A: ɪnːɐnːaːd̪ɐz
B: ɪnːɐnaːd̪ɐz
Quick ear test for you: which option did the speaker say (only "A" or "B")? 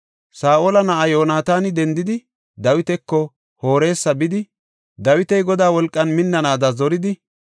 B